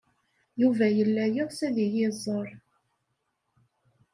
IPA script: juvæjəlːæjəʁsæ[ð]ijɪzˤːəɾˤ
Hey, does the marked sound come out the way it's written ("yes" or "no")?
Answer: yes